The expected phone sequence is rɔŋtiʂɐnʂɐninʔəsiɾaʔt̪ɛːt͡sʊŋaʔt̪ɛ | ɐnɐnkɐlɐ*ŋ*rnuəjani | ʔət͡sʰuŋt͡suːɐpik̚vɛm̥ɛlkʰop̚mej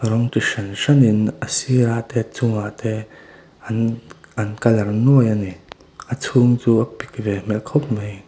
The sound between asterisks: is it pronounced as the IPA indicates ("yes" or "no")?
no